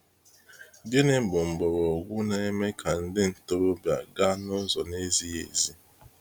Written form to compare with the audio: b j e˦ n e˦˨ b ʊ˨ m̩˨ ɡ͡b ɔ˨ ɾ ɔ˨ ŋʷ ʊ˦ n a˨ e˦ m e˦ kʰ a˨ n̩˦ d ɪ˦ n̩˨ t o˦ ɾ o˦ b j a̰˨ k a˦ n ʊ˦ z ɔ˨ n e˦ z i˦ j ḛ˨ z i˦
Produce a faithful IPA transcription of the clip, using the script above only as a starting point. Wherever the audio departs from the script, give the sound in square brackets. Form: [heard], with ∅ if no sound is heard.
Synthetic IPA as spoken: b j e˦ n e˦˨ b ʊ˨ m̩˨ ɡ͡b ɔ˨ ɾ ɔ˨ [ɡʷ] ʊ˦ n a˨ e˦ m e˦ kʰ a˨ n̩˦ d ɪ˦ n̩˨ t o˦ ɾ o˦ b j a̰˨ [ɡ] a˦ n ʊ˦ z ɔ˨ n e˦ z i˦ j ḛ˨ z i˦

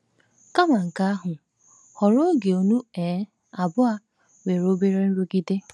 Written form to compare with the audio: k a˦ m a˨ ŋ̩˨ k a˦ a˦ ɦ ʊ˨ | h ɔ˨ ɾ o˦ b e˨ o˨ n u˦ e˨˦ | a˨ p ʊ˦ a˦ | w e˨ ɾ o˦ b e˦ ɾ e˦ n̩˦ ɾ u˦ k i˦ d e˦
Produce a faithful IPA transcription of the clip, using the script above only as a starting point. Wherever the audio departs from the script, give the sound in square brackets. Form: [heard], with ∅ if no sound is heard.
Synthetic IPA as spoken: k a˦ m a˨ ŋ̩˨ k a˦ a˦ ɦ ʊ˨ | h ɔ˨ ɾ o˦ [ɡ] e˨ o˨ n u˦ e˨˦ | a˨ [b] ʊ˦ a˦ | w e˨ ɾ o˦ b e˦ ɾ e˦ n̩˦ ɾ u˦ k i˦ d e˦

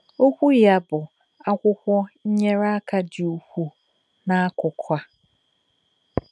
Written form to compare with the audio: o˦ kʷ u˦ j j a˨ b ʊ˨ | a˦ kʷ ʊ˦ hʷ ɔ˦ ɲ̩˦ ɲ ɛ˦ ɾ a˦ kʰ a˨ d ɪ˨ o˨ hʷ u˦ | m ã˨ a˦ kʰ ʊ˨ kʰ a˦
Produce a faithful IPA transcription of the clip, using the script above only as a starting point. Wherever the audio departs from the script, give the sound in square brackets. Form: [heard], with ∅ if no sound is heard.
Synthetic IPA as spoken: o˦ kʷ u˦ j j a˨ b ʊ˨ | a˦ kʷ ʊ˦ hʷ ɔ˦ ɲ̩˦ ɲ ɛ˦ ɾ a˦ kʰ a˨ d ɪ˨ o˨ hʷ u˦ | [n] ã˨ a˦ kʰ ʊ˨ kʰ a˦

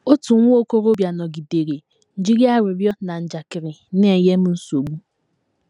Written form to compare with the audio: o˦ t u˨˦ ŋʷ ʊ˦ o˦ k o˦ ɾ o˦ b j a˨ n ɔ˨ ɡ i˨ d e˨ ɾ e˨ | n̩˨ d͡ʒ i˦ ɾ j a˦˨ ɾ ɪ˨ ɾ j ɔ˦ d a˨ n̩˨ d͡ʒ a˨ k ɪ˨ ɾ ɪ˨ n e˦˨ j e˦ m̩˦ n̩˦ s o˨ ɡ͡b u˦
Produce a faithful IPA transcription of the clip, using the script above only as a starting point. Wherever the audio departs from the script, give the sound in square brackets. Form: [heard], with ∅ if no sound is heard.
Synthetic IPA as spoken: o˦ t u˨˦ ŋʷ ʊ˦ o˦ k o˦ ɾ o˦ b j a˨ n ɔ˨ ɡ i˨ d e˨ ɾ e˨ | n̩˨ d͡ʒ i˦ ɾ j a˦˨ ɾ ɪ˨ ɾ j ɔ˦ [n] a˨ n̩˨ d͡ʒ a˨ k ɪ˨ ɾ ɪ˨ n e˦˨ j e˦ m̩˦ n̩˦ s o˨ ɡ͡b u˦

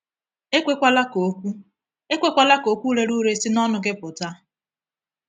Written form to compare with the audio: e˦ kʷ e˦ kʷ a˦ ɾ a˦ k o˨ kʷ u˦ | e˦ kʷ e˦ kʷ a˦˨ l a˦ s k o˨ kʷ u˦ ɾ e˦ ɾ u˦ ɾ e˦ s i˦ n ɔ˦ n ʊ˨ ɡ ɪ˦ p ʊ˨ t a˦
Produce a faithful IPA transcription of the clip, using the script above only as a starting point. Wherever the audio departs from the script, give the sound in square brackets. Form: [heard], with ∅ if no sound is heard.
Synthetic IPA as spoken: e˦ kʷ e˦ kʷ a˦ [l] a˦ k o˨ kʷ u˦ | e˦ kʷ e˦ kʷ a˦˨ l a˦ [∅] k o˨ kʷ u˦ ɾ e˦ ɾ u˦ ɾ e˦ s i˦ n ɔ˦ n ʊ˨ ɡ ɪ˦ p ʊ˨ t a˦

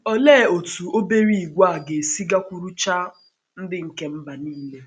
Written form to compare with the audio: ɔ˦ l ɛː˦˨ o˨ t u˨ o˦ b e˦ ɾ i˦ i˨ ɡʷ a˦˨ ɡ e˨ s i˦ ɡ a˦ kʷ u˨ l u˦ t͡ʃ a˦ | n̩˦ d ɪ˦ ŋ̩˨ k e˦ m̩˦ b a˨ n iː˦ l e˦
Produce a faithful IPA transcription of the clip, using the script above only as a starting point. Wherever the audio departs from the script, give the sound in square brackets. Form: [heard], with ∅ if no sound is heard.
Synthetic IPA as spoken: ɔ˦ l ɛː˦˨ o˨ t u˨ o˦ b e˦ ɾ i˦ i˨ ɡʷ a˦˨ ɡ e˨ s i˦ ɡ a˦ kʷ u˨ [ɾ] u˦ t͡ʃ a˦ | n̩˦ d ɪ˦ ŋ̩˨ k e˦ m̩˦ b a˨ n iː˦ l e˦

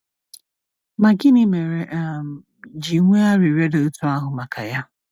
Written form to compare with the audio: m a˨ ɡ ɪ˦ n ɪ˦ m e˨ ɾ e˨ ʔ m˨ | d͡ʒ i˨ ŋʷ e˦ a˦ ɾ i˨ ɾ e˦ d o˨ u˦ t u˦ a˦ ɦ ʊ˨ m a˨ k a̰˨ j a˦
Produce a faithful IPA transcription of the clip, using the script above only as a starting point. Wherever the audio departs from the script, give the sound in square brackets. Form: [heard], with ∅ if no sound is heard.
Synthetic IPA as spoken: m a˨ ɡ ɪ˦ n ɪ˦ m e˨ ɾ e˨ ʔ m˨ | d͡ʒ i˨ ŋʷ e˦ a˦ ɾ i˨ ɾ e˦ d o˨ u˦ t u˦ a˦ ɦ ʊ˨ m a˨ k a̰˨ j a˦

